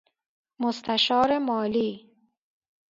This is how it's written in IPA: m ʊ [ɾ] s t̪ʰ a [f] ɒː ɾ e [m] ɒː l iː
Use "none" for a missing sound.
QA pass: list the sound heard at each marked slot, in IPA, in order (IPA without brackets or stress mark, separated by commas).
none, ʃ, m